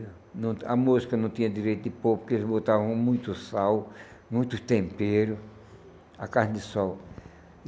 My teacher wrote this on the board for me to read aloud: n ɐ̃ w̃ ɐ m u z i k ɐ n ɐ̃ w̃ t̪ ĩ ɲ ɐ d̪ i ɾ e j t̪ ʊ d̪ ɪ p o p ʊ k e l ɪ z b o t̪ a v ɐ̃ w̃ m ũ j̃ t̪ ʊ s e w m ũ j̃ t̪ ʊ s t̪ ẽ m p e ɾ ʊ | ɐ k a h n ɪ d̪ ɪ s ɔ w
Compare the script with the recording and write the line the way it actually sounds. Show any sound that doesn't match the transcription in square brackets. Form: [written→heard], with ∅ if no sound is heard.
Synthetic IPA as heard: n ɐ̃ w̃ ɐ m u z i k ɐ n ɐ̃ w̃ t̪ ĩ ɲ ɐ d̪ i ɾ e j t̪ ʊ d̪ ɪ p o p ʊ k e l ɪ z b o t̪ a v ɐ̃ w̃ m ũ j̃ t̪ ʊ s [e→a] w m ũ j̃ t̪ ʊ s t̪ ẽ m p e ɾ ʊ | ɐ k a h n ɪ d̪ ɪ s ɔ w